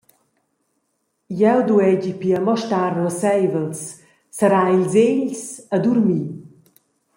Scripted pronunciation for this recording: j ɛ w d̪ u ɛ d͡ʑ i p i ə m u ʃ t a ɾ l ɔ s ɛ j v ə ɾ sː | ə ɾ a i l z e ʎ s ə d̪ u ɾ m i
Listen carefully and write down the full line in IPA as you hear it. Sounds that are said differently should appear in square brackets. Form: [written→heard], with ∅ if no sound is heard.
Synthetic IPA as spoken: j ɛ w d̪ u ɛ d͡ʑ i p i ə m [u→ɔ] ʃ t a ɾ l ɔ s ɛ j v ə [ɾ→l] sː | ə ɾ a i l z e ʎ s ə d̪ u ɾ m i